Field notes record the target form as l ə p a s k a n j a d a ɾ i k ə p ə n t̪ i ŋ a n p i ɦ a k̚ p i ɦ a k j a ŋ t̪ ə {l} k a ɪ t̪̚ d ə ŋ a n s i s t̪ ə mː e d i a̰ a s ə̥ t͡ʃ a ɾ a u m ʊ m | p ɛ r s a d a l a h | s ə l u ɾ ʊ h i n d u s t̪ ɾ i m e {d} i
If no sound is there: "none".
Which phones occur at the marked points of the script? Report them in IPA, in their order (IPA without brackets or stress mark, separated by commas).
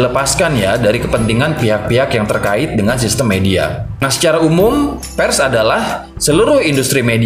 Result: r, d